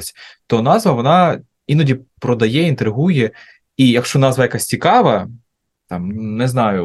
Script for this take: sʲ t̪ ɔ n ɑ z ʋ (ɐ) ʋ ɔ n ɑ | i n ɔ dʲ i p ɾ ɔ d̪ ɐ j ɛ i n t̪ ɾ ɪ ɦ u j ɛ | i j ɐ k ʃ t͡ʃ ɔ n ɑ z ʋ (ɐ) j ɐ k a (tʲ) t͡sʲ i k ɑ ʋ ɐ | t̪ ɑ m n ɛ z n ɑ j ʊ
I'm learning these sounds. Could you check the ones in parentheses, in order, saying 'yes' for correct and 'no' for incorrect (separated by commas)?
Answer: yes, yes, no